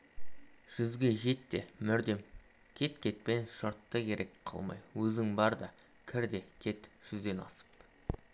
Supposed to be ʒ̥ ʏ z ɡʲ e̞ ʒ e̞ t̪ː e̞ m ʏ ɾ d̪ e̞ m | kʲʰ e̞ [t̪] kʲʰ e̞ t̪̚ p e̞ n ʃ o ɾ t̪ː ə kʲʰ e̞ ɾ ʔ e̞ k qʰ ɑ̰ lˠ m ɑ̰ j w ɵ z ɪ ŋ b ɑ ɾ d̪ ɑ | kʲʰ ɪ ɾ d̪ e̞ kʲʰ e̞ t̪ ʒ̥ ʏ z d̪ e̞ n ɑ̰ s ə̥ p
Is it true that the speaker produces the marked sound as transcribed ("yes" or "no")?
yes